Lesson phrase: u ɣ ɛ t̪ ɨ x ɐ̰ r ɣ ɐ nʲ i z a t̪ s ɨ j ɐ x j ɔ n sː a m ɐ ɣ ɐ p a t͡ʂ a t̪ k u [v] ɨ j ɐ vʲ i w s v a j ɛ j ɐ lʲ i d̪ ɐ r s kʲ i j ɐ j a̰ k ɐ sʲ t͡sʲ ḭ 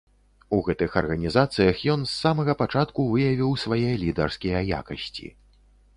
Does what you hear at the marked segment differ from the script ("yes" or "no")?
no